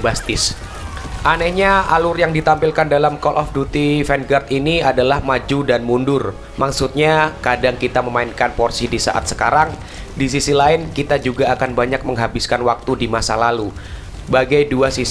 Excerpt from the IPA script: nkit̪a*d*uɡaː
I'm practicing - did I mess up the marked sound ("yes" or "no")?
yes